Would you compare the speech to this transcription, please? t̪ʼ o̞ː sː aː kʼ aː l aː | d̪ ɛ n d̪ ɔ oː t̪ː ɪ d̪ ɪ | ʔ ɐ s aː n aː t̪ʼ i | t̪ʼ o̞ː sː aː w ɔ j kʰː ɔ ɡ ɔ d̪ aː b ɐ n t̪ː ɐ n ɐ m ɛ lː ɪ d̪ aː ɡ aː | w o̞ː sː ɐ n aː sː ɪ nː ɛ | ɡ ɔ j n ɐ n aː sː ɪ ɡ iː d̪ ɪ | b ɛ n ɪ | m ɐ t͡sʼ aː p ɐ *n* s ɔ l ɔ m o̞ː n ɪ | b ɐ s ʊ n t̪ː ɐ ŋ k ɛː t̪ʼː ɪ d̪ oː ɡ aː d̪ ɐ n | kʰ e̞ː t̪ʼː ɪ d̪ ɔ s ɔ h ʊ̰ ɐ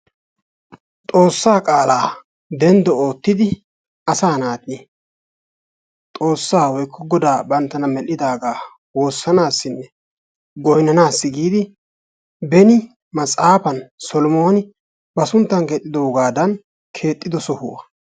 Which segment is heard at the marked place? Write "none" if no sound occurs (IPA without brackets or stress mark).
n